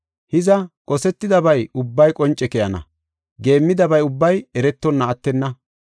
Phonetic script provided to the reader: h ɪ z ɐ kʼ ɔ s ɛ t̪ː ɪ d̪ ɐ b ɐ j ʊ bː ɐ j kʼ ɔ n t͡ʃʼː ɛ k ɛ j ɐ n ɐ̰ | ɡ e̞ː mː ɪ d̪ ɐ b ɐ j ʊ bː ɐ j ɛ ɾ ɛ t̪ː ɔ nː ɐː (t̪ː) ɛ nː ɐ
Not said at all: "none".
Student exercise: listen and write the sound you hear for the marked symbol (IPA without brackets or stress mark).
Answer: t̪ː